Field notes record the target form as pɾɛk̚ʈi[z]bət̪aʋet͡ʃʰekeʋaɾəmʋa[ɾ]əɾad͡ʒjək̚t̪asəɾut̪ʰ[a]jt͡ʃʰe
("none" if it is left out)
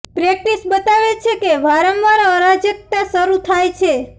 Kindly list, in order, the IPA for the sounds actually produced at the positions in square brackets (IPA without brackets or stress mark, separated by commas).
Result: s, ɾ, a